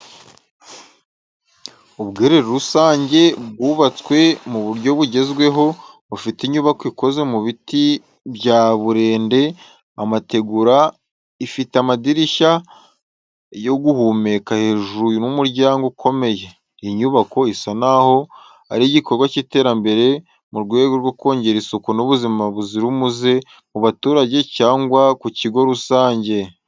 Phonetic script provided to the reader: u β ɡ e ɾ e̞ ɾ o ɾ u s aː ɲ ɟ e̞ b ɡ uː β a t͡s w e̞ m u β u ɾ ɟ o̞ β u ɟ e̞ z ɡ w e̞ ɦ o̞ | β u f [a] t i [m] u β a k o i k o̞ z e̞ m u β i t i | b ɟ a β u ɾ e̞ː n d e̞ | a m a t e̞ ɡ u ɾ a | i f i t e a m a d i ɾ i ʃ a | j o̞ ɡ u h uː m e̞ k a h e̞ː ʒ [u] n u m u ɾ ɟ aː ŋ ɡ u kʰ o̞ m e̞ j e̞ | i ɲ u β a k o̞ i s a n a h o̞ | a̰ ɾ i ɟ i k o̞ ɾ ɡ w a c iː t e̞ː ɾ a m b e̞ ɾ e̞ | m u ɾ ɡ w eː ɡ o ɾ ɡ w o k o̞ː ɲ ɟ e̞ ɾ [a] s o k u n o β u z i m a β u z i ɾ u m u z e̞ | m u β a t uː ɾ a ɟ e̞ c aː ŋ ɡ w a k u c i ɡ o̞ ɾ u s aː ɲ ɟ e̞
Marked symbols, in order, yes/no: no, no, yes, no

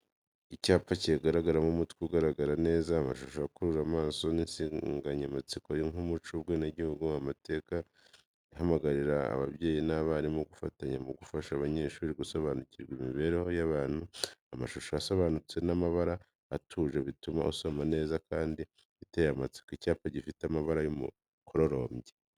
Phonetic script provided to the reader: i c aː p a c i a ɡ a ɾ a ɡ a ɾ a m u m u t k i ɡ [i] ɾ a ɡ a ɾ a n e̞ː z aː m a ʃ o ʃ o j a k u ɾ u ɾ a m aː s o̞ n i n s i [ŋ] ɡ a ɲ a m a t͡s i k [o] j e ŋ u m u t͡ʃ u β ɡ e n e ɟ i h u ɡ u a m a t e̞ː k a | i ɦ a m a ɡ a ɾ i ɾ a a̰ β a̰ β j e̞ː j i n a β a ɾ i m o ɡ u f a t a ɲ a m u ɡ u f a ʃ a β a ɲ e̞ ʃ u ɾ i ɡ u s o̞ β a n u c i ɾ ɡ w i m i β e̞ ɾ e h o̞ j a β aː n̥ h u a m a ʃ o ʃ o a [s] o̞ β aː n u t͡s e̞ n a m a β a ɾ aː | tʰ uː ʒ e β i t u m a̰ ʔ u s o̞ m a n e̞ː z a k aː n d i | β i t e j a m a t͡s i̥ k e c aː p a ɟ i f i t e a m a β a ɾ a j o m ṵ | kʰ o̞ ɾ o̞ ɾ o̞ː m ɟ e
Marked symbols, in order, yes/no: no, yes, yes, yes

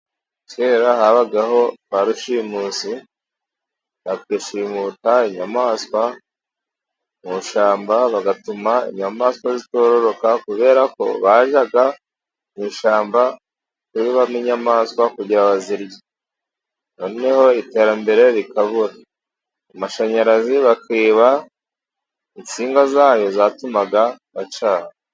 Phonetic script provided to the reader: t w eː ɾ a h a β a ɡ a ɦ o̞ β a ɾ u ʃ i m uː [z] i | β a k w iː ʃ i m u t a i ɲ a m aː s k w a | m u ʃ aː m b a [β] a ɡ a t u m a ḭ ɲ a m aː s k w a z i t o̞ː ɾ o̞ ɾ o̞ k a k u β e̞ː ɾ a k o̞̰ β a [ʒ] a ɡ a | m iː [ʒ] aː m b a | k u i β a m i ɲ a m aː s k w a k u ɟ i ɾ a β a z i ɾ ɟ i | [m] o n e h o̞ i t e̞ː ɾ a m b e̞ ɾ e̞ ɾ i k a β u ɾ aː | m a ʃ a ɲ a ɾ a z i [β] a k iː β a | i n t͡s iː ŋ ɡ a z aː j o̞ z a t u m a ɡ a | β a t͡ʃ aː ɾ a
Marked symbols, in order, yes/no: no, yes, yes, no, no, yes

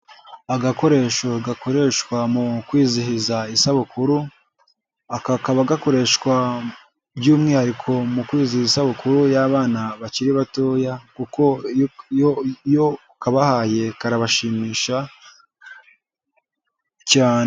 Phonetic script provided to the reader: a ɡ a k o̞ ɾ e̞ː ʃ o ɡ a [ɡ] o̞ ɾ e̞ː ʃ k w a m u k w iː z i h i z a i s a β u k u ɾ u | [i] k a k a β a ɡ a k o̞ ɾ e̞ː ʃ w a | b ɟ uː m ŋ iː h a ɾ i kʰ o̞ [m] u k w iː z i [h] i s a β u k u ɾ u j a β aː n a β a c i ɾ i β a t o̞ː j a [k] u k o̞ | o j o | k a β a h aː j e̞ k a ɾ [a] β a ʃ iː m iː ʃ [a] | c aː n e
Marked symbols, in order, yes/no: no, no, yes, yes, yes, yes, yes

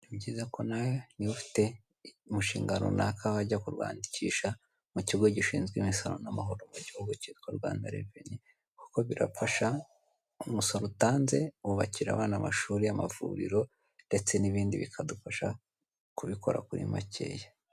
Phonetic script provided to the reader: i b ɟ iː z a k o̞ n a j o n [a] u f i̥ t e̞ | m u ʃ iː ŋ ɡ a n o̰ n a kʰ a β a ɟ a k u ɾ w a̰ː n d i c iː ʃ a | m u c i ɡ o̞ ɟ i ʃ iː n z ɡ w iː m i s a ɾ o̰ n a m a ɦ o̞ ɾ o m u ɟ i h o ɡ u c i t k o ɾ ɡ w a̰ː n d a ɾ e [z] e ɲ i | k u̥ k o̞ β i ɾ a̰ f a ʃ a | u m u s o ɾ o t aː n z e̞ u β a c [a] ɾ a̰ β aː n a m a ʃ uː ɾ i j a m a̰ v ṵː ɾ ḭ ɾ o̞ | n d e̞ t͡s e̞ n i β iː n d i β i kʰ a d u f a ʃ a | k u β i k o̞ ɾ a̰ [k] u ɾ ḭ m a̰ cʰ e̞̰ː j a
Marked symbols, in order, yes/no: no, no, no, yes

